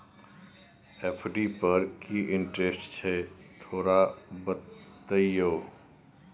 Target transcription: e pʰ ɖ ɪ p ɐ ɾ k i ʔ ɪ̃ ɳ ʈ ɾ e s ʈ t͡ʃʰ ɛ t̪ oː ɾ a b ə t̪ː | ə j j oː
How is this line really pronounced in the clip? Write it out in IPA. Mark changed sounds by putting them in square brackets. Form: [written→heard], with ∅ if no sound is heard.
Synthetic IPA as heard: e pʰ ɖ [ɪ→i] p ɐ ɾ k i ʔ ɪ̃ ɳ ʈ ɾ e s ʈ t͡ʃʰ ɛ [t̪→t̪ʰ] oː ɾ a b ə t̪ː | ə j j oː